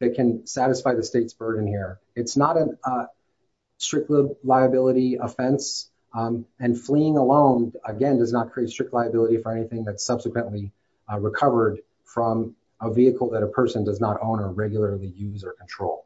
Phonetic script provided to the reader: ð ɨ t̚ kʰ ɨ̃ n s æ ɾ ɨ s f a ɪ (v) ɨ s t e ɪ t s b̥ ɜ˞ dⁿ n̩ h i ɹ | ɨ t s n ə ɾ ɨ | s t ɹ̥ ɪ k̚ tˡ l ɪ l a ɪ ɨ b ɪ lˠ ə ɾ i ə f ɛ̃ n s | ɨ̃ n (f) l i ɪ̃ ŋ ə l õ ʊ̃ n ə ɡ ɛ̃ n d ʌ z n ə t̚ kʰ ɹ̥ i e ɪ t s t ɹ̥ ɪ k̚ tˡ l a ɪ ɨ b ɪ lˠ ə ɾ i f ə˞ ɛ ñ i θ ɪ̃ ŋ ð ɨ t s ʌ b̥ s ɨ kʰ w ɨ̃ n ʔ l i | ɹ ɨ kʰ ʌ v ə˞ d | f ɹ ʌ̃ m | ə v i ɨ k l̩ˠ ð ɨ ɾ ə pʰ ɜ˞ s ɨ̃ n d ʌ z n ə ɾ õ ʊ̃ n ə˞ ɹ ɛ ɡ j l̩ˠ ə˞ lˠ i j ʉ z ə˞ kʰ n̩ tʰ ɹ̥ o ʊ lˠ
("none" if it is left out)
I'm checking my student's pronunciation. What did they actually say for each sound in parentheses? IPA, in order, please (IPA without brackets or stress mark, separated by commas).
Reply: ð, f